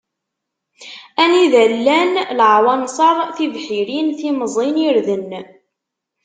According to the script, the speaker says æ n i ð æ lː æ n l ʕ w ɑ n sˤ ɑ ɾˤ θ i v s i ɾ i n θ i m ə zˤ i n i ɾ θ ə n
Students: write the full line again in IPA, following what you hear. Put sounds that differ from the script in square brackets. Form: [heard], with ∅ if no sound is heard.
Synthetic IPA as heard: æ n i ð æ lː æ n l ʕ w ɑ n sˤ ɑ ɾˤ θ i v [ħ] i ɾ i n θ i m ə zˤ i n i ɾ [ð] ə n